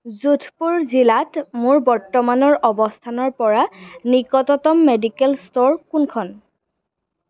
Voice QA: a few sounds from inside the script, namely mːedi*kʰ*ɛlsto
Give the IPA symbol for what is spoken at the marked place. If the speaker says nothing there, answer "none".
k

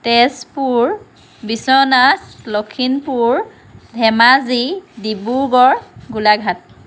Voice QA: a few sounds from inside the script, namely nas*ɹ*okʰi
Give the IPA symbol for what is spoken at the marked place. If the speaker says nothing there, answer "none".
l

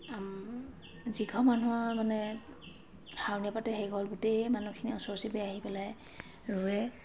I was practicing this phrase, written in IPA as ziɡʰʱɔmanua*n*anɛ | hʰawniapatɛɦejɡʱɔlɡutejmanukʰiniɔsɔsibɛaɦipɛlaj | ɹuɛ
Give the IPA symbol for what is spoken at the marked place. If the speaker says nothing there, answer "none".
m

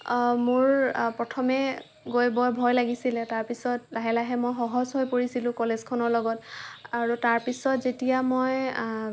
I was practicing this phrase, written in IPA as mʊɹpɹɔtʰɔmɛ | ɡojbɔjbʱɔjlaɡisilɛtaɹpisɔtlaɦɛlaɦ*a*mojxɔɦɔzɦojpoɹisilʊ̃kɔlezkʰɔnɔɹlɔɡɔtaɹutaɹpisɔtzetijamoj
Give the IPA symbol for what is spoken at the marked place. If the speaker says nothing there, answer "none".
ɛ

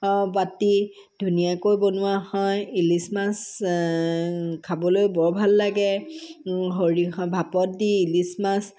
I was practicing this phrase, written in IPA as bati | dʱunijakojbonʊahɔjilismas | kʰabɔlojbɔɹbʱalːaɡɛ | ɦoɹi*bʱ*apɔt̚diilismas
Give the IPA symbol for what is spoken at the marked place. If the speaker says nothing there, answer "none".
bʱ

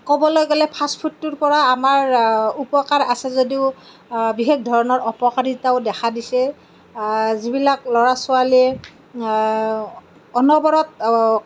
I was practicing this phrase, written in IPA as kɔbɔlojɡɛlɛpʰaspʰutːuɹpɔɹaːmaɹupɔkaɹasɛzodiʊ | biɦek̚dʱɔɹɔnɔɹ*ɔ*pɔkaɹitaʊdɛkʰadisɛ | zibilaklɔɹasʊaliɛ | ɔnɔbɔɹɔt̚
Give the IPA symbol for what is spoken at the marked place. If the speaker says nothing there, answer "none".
ɔ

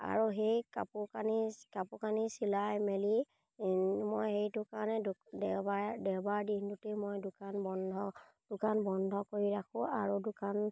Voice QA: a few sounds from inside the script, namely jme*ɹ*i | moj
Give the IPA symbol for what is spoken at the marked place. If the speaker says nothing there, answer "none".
l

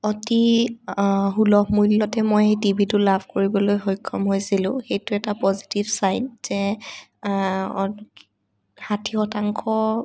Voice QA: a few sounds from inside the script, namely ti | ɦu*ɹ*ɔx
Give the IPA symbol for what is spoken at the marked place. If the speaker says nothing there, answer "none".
l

